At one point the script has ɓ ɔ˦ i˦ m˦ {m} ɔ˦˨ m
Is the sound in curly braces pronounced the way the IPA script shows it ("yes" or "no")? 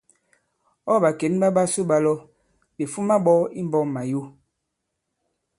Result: no